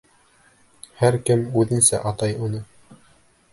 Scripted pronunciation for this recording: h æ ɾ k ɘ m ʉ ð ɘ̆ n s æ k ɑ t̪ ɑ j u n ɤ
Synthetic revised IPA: h æ ɾ k ɘ m ʉ ð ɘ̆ n s æ ʔ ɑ t̪ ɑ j u n ɤ